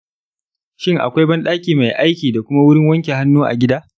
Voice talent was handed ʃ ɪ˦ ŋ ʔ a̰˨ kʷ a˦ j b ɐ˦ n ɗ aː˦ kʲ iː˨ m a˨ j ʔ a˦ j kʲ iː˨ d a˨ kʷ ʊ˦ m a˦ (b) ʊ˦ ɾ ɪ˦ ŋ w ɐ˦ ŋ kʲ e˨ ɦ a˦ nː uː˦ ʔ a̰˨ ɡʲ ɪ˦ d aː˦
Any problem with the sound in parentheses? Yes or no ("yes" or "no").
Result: yes